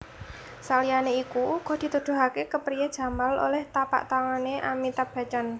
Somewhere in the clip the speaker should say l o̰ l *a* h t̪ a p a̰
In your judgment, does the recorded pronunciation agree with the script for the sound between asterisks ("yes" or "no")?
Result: no